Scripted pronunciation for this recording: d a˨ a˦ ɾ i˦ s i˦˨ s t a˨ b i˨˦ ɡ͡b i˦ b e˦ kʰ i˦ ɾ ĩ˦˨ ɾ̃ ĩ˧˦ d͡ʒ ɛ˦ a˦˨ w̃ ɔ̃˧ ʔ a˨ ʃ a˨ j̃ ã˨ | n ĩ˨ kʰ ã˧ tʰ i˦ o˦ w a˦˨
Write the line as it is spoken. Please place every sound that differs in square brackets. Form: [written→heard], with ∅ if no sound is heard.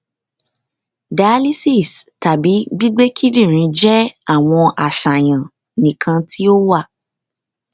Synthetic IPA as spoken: d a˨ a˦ [ɾ→l] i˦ s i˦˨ s t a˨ b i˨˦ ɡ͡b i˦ [b→ɡ͡b] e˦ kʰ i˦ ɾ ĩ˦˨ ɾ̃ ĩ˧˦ d͡ʒ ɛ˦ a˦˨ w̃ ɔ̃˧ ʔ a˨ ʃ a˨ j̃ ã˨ | n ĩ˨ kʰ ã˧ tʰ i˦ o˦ w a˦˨

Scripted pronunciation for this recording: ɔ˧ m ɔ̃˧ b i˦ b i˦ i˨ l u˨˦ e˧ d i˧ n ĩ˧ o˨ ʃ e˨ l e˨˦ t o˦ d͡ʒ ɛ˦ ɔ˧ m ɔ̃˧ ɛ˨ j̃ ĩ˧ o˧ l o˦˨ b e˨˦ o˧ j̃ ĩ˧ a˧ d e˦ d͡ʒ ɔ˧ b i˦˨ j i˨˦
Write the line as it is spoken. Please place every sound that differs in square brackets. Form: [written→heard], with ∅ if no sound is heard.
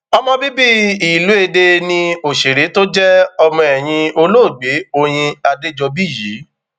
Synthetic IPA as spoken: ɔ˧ m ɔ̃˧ b i˦ b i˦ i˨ l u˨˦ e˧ d [i˧→e˧] n ĩ˧ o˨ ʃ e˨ [l→ɾ] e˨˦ t o˦ d͡ʒ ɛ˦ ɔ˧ m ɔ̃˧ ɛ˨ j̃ ĩ˧ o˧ l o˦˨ [b→ɡ͡b] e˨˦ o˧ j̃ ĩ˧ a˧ d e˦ d͡ʒ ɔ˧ b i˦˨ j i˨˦

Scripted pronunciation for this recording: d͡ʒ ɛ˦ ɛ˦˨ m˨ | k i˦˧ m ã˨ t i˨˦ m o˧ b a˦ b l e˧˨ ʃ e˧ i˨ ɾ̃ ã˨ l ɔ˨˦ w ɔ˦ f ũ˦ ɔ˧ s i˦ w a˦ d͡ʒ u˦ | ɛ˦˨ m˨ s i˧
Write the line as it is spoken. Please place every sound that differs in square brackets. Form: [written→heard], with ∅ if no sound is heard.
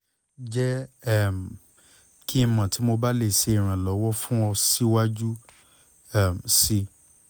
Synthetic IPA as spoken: d͡ʒ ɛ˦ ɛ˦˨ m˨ | k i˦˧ m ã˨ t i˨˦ m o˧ b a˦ [b→∅] l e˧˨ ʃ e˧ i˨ ɾ̃ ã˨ l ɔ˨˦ w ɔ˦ f ũ˦ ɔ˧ s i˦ w a˦ d͡ʒ u˦ | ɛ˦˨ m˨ s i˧

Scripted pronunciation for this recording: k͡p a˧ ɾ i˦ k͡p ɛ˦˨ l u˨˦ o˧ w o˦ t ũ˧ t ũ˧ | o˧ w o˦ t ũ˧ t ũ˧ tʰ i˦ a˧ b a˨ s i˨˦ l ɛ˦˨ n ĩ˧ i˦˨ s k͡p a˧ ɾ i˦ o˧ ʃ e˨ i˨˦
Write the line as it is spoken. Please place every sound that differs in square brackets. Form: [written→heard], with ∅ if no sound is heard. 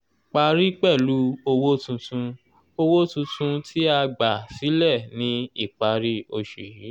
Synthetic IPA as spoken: k͡p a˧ ɾ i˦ k͡p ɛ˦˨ l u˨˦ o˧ w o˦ t ũ˧ t ũ˧ | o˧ w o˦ t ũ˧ t ũ˧ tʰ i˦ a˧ [b→ɡ͡b] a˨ s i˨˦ l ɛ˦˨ n ĩ˧ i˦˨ [s→∅] k͡p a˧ ɾ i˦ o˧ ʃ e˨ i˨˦

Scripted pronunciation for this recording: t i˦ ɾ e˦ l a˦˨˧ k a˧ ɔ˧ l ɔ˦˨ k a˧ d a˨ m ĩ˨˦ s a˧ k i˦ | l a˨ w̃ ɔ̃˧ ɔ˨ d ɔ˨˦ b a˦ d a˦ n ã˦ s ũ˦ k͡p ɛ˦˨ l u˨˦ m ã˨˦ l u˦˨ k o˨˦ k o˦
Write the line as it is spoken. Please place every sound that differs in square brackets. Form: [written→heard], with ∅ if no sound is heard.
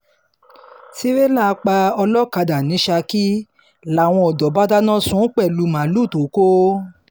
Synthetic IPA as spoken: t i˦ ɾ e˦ l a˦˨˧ [k→k͡p] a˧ ɔ˧ l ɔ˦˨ k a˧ d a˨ [m→n] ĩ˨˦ [s→ʃ] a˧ k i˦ | l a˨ w̃ ɔ̃˧ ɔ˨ d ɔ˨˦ b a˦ d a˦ n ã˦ s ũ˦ k͡p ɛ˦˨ l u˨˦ m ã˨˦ l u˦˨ [k→t] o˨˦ k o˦

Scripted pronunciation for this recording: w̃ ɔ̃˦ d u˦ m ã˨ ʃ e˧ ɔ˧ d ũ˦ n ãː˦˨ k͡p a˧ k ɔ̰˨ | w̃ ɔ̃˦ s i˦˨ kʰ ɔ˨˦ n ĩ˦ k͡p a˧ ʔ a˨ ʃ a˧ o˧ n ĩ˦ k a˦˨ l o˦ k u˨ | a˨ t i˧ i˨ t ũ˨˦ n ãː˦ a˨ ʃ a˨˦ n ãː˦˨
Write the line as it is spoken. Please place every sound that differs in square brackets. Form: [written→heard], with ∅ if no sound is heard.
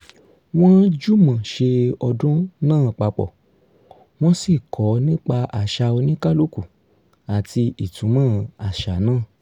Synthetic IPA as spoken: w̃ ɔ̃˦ [d→d͡ʒ] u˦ m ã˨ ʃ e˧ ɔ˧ d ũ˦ n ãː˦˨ k͡p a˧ [k→k͡p] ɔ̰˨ | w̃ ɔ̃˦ s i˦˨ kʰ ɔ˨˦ n ĩ˦ k͡p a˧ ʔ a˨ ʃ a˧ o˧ n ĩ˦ k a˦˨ l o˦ k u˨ | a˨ t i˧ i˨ t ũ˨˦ [n→m] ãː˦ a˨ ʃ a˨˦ n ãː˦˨

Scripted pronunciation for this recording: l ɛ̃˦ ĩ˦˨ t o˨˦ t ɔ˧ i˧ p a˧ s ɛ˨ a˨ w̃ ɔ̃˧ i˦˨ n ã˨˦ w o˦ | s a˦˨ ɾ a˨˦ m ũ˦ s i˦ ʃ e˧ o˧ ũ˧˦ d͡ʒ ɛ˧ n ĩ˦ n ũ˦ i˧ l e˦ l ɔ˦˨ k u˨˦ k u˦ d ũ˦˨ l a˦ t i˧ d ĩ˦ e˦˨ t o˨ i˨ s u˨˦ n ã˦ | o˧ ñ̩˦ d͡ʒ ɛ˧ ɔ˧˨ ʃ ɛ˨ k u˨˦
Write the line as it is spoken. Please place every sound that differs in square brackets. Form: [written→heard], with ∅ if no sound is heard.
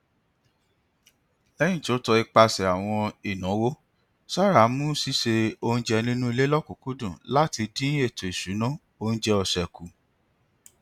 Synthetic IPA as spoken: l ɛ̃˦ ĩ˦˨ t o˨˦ t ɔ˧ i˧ [p→k͡p] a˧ s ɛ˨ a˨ w̃ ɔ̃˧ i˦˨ n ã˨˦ w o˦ | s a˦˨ ɾ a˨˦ m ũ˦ s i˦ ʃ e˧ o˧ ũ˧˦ d͡ʒ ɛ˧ n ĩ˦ n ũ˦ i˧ l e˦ l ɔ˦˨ k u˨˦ k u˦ d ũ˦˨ l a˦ t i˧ d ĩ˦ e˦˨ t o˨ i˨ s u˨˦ n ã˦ | o˧ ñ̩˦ d͡ʒ ɛ˧ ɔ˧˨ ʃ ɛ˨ k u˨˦

